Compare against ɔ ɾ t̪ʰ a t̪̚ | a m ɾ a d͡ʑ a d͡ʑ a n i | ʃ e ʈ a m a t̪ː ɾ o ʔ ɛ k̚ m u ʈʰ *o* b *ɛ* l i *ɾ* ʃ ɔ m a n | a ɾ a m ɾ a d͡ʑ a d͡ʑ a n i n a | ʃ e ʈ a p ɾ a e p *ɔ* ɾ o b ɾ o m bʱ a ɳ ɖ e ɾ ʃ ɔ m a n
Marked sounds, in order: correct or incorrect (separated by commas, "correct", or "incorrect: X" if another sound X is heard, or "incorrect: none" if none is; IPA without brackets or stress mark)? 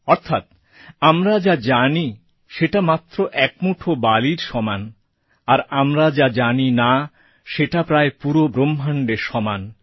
correct, incorrect: a, correct, incorrect: u